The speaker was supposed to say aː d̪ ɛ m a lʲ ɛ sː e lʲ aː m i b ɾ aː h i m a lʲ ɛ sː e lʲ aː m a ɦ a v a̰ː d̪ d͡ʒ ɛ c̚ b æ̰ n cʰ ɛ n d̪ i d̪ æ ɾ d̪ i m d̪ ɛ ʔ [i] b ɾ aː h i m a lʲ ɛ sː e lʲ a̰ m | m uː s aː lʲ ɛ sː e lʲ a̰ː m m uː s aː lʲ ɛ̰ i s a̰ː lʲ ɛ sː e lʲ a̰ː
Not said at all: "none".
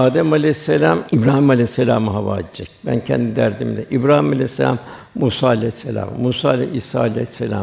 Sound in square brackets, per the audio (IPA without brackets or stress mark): i